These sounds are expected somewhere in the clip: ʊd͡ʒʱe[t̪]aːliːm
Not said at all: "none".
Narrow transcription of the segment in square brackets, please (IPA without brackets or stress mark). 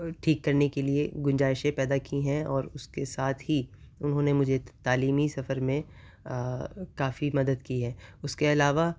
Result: t̪